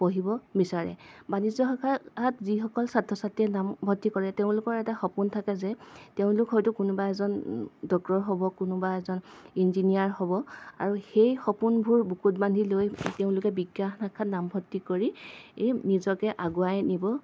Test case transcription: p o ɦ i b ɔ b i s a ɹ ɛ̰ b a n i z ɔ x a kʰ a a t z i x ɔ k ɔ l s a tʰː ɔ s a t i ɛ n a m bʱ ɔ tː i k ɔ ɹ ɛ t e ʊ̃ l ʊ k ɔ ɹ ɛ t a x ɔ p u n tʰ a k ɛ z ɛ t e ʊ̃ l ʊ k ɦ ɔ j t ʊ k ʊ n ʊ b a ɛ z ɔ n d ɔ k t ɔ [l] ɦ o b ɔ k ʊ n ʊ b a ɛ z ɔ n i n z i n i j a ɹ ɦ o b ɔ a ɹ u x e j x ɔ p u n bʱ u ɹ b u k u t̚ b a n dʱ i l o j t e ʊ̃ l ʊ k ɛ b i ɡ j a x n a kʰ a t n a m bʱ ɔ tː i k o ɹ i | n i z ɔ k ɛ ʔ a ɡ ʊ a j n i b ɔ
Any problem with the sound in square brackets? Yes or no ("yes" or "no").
yes